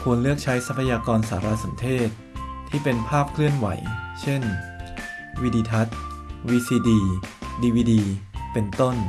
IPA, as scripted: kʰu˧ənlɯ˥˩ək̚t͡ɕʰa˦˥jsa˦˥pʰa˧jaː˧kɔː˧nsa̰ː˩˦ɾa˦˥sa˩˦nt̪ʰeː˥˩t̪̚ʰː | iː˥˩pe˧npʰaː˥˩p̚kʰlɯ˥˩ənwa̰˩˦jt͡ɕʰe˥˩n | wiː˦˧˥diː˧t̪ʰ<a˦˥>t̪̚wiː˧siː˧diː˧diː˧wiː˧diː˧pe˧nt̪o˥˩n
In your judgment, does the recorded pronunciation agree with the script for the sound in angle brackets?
yes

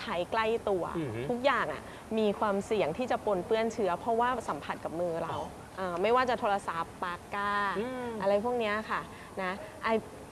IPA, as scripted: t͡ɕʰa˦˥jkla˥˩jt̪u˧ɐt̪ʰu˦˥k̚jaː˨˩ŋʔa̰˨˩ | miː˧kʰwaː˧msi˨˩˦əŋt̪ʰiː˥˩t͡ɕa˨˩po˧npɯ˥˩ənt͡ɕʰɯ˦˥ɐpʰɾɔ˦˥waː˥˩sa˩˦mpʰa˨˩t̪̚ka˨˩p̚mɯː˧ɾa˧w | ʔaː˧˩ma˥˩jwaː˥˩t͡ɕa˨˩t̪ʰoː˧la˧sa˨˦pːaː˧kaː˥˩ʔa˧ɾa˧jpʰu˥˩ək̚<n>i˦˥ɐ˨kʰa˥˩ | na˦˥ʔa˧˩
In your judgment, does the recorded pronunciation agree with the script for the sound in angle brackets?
yes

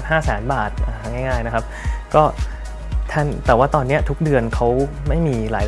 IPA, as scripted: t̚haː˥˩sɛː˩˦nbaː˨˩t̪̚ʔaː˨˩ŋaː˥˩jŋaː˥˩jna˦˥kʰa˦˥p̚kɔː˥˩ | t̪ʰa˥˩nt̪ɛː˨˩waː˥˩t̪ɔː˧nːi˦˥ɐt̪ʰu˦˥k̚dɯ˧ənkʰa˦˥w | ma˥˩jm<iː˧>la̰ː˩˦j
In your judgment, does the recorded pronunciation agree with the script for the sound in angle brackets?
yes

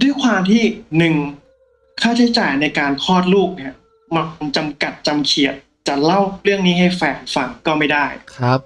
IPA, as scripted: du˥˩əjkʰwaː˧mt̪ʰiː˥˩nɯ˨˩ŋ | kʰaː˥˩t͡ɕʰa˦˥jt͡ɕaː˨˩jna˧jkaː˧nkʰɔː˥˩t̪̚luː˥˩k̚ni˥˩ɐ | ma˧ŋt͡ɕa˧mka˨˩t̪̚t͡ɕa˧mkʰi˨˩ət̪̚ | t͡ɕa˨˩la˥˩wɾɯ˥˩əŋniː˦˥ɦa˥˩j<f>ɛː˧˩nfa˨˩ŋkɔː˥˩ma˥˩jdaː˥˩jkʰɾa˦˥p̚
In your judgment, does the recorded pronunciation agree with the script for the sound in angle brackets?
yes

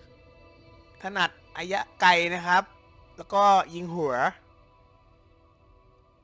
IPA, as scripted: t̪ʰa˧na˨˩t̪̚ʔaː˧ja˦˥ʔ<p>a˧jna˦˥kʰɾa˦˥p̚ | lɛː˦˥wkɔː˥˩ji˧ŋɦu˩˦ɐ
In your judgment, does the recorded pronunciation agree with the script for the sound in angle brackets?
no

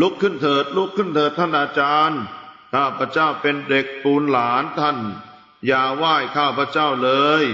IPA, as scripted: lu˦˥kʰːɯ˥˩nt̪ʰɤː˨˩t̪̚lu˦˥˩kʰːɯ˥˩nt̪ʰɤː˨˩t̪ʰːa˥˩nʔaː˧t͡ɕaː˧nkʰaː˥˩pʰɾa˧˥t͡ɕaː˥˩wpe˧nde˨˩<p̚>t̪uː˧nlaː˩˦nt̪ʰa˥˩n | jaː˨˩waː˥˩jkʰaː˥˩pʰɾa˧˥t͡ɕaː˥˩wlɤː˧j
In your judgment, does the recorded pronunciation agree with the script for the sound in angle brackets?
no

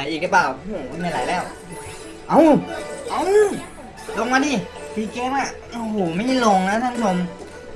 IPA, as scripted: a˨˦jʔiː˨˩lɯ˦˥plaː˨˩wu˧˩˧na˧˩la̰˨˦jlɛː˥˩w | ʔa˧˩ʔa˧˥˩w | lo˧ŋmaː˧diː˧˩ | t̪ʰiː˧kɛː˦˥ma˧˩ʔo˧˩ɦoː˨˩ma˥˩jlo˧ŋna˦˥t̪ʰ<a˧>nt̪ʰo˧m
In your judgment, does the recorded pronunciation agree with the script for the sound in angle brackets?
no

